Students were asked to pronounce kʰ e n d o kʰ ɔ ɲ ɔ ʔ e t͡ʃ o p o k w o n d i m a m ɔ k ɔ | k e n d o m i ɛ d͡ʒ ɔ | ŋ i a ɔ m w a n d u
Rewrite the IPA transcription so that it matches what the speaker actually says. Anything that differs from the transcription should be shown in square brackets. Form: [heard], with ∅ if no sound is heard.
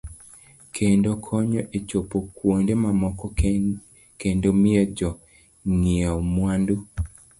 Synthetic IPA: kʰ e n d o kʰ ɔ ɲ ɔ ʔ e t͡ʃ o p o k w o n d [e] m a m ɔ k ɔ | k e n d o m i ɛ d͡ʒ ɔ | ŋ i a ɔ m w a n d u